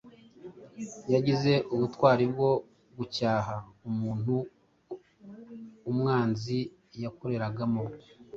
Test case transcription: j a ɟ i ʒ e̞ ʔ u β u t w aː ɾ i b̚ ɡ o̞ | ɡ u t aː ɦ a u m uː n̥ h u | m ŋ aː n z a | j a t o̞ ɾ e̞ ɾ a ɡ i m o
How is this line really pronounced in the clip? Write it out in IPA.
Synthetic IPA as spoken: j a ɟ i z e̞ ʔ u β u t w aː ɾ i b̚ ɡ o̞ | ɡ u c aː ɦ a u m uː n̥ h u | m ŋ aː n z i | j a k o̞ ɾ e̞ ɾ a ɡ a m o

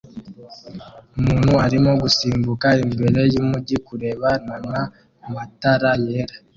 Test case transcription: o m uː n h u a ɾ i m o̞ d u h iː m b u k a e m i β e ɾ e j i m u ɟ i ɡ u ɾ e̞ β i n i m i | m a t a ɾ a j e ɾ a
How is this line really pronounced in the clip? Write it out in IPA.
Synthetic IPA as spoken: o m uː n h u a ɾ i m o̞ ɡ u s iː m b u k a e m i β e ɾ e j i m u ɟ i k u ɾ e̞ β a n a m a | m a t a ɾ a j e ɾ a

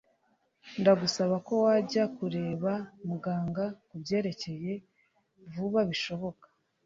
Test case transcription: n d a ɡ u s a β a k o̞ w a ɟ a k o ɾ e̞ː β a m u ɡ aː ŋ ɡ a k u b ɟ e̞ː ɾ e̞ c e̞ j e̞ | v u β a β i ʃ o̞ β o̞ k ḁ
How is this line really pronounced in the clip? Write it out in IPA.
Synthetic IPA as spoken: n d a ɡ u s a β a k o̞ w a ɟ a k u ɾ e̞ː β a m u ɡ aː ŋ ɡ a k u b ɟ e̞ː ɾ e̞ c e̞ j e̞ | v u β a β i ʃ o̞ β o̞ k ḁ

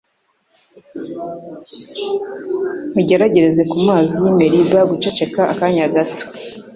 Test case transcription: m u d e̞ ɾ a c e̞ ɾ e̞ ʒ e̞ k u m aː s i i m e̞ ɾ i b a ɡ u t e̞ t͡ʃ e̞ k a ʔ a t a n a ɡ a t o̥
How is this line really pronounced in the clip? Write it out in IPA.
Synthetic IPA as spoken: m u ɟ e̞ ɾ a ɟ e̞ ɾ e̞ z e̞ k u m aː z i i m e̞ ɾ i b a ɡ u t͡ʃ e̞ t͡ʃ e̞ k a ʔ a k a ɲ a ɡ a t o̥

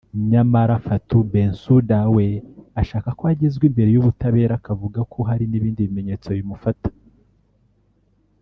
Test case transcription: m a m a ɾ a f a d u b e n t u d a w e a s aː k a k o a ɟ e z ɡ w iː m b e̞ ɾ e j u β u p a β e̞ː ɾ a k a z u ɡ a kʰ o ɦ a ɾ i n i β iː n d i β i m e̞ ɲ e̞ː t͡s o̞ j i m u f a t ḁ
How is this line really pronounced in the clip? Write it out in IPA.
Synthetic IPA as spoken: ɲ a m a ɾ a f a t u b e n s u d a w e a ʃ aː k a k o a ɟ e z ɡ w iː m b e̞ ɾ e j u β u t a β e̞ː ɾ a k a v u ɡ a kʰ o ɦ a ɾ i n i β iː n d i β i m e̞ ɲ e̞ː t͡s o̞ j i m u f a t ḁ

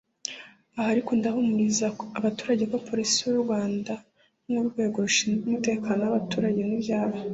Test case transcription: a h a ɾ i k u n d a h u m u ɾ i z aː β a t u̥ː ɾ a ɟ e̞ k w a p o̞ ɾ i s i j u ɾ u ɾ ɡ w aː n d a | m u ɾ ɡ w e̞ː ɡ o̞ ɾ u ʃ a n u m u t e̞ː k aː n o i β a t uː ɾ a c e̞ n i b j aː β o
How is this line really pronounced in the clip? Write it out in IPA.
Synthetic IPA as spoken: a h a ɾ i k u n d a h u m u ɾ i z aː β a t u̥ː ɾ a ɟ e̞ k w a p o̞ ɾ i s i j u ɾ u ɾ ɡ w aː n d a | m u ɾ ɡ w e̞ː ɡ o̞ ɾ u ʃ i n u m u t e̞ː k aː n o a β a t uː ɾ a ɟ e̞ n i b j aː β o

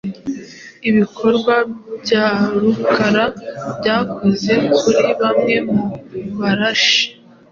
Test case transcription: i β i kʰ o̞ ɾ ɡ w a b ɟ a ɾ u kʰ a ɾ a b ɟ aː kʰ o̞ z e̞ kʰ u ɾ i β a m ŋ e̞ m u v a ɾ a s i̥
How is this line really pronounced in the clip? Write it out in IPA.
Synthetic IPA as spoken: i β i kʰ o̞ ɾ ɡ w a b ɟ a ɾ u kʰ a ɾ a b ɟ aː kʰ o̞ z e̞ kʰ u ɾ i β a m ŋ e̞ m u β a ɾ a ʃ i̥

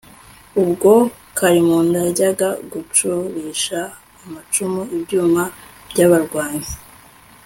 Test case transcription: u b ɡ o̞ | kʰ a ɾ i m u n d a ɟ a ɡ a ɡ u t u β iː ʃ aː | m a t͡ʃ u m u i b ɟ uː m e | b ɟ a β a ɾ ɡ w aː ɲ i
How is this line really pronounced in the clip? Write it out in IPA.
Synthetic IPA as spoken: u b ɡ o̞ | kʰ a ɾ i m u n d a ɟ a ɡ a ɡ u t͡ʃ u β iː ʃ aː | m a t͡ʃ u m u i b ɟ uː m a | b ɟ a β a ɾ ɡ w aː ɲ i

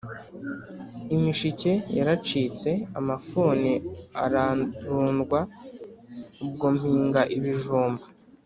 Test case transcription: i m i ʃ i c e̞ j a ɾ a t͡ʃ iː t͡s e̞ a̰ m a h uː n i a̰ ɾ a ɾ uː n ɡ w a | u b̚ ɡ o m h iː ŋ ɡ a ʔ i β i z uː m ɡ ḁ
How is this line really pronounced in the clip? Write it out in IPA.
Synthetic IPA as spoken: i m i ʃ i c e̞ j a ɾ a t͡ʃ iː t͡s e̞ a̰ m a f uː n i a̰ ɾ a ɾ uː n ɡ w a | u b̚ ɡ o m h iː ŋ ɡ a ʔ i β i ʒ uː m b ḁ

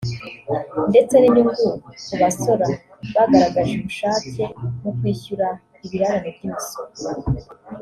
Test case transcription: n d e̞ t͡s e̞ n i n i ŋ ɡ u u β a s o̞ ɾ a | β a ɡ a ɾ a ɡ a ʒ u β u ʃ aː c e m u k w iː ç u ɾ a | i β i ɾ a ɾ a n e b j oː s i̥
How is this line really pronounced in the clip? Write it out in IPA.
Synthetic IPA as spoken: n d e̞ t͡s e̞ n i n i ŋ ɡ u u β a s o̞ ɾ a | β a ɡ a ɾ a ɡ a ʒ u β u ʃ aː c e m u k w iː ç u ɾ a | i β i ɾ a ɾ a n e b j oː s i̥

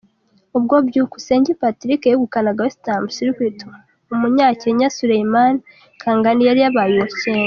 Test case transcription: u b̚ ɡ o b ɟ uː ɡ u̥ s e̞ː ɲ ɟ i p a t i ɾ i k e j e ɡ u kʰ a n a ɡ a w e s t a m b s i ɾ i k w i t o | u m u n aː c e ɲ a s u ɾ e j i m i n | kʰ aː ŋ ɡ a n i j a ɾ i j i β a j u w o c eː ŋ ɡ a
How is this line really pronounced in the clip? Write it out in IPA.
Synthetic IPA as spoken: u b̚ ɡ o b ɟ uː k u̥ s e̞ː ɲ ɟ i p a t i ɾ i k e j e ɡ u k a n a ɡ a w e s t a m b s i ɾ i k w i t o | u m u ɲ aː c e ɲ a s u ɾ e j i m a n | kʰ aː ŋ ɡ a n i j a ɾ i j a β a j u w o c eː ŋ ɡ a

